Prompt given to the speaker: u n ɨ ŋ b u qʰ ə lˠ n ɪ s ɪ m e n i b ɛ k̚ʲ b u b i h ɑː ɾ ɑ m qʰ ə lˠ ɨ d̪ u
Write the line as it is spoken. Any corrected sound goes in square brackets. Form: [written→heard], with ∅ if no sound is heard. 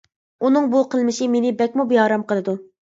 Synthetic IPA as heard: u n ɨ ŋ b u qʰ ə lˠ [n→m] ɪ [s→ʃ] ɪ m e n [i→ɪ] b ɛ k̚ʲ [b→m] u b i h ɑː ɾ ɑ m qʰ ə lˠ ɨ d̪ u

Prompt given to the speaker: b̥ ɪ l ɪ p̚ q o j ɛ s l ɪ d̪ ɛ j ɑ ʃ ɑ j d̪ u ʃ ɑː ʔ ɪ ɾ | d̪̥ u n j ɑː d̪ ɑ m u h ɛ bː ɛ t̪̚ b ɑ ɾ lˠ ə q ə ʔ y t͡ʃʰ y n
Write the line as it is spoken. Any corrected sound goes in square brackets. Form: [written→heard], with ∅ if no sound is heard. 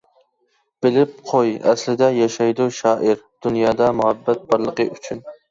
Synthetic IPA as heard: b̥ ɪ l ɪ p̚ [q→qʰ] o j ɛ s l ɪ d̪ ɛ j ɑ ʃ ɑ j d̪ u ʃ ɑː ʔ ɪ ɾ | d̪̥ u n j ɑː d̪ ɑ m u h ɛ bː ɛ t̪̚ b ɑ ɾ lˠ ə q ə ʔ y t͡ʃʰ y n

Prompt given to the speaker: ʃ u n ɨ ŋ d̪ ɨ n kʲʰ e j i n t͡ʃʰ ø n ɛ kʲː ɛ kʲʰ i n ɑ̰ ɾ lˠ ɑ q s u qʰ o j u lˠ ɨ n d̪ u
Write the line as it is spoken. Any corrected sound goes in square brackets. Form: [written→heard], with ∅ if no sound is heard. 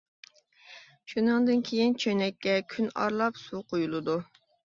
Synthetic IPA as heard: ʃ u n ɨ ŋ d̪ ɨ n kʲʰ e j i n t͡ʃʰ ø n ɛ kʲː ɛ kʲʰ [i→y] n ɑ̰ ɾ lˠ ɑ [q→p] s u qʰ o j u lˠ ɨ [n→∅] d̪ u

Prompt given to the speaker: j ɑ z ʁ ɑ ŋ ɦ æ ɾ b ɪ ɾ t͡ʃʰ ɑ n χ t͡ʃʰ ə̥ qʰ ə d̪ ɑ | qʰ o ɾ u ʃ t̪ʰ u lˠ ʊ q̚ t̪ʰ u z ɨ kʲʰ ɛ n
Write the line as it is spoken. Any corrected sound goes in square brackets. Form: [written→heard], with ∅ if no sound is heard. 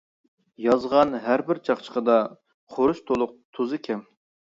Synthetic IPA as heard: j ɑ z ʁ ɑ [ŋ→n] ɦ æ ɾ b ɪ ɾ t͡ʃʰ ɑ [n→∅] χ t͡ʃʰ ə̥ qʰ ə d̪ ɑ | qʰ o ɾ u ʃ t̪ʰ [u→o] lˠ ʊ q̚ t̪ʰ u z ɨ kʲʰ ɛ [n→m]

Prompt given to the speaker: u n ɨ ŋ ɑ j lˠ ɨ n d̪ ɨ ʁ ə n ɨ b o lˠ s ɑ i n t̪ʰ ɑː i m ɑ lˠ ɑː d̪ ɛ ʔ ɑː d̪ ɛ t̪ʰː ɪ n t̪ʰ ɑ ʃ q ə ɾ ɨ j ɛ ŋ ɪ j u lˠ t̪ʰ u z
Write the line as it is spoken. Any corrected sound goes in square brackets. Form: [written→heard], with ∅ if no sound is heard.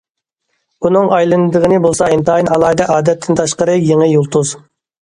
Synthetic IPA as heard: u n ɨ ŋ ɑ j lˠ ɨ n d̪ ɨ ʁ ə n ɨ b o lˠ s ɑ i n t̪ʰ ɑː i [m→n] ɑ lˠ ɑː d̪ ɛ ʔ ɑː d̪ ɛ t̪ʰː ɪ n t̪ʰ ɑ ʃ q ə ɾ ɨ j [ɛ→e] ŋ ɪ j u lˠ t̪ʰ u z

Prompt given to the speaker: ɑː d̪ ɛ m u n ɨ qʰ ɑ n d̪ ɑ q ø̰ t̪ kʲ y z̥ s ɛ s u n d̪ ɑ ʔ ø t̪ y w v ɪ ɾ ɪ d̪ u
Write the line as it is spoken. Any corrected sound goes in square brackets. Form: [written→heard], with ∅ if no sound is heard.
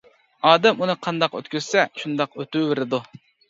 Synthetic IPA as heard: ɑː d̪ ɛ m u n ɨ qʰ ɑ n d̪ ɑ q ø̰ t̪ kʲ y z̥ s ɛ [s→ʃ] u n d̪ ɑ [ʔ→q] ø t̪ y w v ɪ ɾ ɪ d̪ u

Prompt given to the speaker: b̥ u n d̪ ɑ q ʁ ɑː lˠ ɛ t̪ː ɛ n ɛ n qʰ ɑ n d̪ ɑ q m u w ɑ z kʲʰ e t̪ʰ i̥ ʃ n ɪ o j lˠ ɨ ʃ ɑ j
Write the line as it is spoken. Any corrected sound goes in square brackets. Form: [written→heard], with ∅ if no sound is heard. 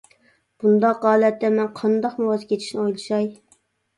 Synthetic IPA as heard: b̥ u n d̪ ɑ q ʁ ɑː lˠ ɛ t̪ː ɛ [n→m] ɛ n qʰ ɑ n d̪ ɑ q m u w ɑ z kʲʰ e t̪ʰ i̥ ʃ n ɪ o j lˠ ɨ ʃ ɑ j

